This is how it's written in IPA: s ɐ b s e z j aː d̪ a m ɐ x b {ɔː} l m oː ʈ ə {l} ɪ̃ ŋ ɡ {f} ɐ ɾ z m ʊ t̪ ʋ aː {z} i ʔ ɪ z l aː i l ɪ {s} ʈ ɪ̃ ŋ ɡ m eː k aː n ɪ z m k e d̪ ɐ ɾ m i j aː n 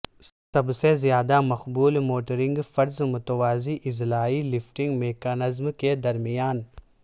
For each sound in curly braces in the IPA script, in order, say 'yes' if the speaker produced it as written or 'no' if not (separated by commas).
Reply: no, no, yes, yes, no